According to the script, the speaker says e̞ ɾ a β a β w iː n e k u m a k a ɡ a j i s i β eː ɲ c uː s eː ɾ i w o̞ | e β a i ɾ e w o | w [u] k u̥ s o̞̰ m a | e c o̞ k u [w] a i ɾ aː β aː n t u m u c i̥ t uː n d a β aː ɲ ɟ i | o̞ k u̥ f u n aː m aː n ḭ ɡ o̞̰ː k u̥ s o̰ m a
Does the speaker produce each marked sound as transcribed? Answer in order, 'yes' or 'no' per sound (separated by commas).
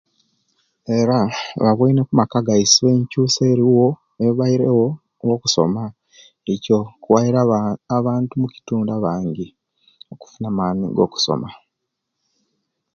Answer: no, yes